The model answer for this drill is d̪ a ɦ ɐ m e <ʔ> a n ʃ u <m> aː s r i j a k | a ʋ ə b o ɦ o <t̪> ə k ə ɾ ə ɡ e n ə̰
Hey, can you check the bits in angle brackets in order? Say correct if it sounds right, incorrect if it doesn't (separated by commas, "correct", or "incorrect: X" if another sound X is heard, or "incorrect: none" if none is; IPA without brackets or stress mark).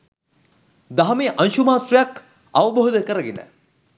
correct, correct, incorrect: d̪